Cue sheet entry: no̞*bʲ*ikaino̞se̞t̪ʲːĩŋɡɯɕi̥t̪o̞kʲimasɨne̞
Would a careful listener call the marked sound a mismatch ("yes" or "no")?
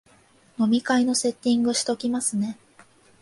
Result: yes